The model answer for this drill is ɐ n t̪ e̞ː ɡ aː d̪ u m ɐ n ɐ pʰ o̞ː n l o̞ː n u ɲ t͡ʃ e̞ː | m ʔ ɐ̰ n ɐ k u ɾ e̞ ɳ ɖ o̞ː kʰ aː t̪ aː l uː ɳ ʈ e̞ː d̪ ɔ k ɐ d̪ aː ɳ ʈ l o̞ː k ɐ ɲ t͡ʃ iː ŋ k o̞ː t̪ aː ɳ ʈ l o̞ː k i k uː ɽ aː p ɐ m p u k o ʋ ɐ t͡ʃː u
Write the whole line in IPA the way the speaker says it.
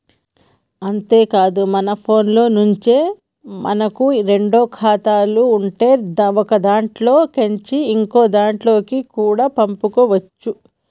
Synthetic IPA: ɐ n t̪ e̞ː k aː d̪ u m ɐ n ɐ pʰ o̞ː n l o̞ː n u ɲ t͡ʃ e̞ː | m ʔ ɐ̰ n ɐ k u ɾ e̞ ɳ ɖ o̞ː kʰ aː t̪ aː l uː ɳ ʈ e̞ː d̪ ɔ k ɐ d̪ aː ɳ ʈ l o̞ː k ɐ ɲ t͡ʃ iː ŋ k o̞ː d̪ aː ɳ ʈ l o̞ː k i k uː ɽ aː p ɐ m p u k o ʋ ɐ t͡ʃː u